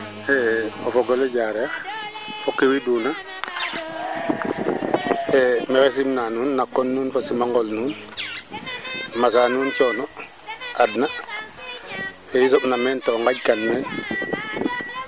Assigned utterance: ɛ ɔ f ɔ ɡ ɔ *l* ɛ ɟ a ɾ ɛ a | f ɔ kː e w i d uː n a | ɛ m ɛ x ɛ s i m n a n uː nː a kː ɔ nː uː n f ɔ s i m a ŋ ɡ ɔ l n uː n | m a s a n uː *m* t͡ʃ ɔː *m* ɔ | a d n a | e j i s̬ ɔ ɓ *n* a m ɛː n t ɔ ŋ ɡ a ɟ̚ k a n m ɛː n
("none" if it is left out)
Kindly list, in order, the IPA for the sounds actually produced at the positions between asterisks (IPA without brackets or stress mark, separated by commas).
l, n, n, n